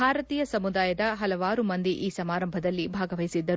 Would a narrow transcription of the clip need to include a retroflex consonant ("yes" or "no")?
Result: no